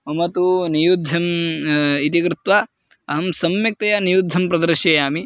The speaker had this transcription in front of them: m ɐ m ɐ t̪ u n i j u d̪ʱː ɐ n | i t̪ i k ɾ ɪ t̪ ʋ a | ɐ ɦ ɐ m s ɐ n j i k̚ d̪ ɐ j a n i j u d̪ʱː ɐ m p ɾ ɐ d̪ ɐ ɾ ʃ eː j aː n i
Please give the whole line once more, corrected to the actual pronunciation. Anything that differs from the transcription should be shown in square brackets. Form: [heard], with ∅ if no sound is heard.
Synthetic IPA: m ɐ m ɐ t̪ u n i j u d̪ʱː ɐ [m] | i t̪ i k ɾ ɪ t̪ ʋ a | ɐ ɦ ɐ m s ɐ [m] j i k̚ [t̪] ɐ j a n i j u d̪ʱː ɐ m p ɾ ɐ d̪ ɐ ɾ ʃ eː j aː [m] i

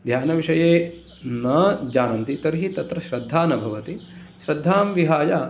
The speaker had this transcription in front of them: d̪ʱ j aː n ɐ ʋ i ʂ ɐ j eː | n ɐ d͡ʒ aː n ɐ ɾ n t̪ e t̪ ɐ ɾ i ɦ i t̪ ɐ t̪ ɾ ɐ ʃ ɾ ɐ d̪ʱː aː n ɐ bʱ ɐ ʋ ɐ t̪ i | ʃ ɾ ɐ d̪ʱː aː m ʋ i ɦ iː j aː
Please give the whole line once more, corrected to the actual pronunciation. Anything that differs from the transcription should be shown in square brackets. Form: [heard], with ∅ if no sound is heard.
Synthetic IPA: d̪ʱ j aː n ɐ ʋ i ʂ ɐ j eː | n ɐ d͡ʒ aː n ɐ [∅] n t̪ [i] t̪ ɐ ɾ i ɦ i t̪ ɐ t̪ ɾ ɐ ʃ ɾ ɐ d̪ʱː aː n ɐ bʱ ɐ ʋ ɐ t̪ i | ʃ ɾ ɐ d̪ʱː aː m ʋ i ɦ [aː] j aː

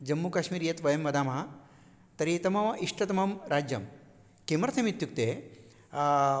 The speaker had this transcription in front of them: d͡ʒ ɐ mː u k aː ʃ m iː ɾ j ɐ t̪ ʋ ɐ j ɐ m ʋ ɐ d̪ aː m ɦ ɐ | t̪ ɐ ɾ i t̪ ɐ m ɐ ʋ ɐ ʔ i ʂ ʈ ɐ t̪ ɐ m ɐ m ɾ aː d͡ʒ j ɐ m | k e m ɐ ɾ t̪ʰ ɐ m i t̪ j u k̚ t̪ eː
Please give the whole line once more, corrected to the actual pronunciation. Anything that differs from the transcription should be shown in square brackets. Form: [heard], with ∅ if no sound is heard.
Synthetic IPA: d͡ʒ ɐ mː u k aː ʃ m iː ɾ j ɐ t̪ ʋ ɐ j ɐ m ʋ ɐ d̪ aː m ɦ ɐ | t̪ ɐ ɾ i t̪ ɐ m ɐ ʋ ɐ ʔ i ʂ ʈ ɐ t̪ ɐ m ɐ m ɾ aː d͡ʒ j ɐ m | k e m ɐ ɾ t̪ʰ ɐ m i t̪ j u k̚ t̪ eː

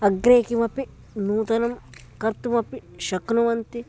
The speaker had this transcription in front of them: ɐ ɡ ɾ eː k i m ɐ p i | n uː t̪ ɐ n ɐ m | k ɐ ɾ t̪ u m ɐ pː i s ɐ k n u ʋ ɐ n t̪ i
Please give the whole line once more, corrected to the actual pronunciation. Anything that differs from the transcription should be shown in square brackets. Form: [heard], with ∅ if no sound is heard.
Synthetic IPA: ɐ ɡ ɾ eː k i m ɐ p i | n uː t̪ ɐ n ɐ m | k ɐ ɾ t̪ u m ɐ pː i [ʃ] ɐ k n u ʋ ɐ n t̪ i

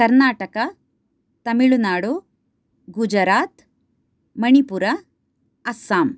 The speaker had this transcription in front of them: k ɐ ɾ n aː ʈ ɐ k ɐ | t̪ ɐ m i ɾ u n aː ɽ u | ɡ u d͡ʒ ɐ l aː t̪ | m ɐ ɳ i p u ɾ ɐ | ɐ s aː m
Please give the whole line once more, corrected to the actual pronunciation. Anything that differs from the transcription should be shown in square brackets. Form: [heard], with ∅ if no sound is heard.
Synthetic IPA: k ɐ ɾ n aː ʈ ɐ k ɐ | t̪ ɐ m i [ɭ] u n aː ɽ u | ɡ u d͡ʒ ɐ [ɾ] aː t̪ | m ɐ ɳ i p u ɾ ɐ | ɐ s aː m

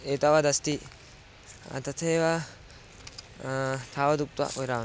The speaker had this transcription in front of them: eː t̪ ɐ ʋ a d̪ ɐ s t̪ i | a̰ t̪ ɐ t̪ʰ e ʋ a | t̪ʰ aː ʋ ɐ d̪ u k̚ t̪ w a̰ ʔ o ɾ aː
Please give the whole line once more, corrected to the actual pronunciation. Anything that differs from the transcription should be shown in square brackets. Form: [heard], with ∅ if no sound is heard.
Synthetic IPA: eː t̪ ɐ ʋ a d̪ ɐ s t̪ i | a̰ t̪ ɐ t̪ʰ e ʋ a | t̪ʰ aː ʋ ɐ d̪ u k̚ t̪ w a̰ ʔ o ɾ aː

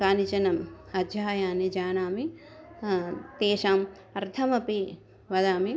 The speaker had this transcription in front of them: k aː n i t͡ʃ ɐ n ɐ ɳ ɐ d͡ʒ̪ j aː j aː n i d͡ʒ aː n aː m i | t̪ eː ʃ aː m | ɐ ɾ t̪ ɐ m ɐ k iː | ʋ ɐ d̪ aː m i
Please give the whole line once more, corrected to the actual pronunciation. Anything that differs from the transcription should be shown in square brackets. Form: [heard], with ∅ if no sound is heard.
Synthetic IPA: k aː n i t͡ʃ ɐ n ɐ [m] ɐ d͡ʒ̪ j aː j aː n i d͡ʒ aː n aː m i | t̪ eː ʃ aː m | ɐ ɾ [t̪ʰ] ɐ m ɐ [p] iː | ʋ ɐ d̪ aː m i

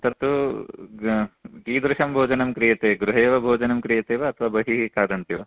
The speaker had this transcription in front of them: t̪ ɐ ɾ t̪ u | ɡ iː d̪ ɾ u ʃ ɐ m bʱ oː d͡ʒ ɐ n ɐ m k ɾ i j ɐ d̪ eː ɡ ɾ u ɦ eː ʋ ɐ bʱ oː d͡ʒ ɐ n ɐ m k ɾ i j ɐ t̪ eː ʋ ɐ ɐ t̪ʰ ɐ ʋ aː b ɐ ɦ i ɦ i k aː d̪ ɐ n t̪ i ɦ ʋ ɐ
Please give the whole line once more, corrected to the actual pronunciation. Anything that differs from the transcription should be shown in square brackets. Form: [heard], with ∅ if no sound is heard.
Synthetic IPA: t̪ ɐ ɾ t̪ u | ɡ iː d̪ ɾ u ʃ ɐ m bʱ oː d͡ʒ ɐ n ɐ m k ɾ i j ɐ [t̪] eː ɡ ɾ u ɦ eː ʋ ɐ bʱ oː d͡ʒ ɐ n ɐ m k ɾ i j ɐ t̪ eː ʋ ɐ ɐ t̪ʰ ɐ ʋ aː b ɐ ɦ i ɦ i k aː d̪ ɐ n t̪ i [∅] ʋ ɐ

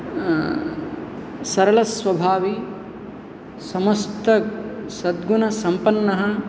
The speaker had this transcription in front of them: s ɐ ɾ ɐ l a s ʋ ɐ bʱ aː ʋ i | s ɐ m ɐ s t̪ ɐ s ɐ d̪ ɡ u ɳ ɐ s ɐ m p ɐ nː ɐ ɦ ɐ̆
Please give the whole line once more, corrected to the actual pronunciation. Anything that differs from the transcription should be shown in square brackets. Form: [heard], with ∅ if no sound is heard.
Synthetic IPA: s ɐ ɾ ɐ l [ɐ] s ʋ ɐ bʱ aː ʋ i | s ɐ m ɐ s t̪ ɐ s ɐ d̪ ɡ u [n] ɐ s ɐ m p ɐ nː ɐ ɦ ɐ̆

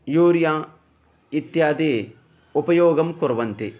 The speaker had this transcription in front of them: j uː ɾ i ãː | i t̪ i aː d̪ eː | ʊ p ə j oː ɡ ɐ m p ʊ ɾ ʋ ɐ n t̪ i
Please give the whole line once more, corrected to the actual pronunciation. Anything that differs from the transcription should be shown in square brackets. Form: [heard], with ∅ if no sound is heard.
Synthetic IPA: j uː ɾ [j] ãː | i t̪ [j] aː d̪ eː | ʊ p [ɐ] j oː ɡ ɐ m [k] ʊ ɾ ʋ ɐ n t̪ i

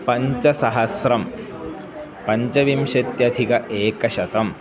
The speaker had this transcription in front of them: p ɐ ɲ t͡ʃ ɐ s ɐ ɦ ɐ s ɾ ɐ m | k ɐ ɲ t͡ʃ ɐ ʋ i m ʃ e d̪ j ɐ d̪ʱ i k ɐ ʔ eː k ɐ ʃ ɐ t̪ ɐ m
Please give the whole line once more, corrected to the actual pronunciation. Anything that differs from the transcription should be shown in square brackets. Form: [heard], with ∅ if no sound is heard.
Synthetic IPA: p ɐ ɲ t͡ʃ ɐ s ɐ ɦ ɐ s ɾ ɐ m | [p] ɐ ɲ t͡ʃ ɐ ʋ i m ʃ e [t̪] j ɐ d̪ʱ i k ɐ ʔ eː k ɐ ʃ ɐ t̪ ɐ m

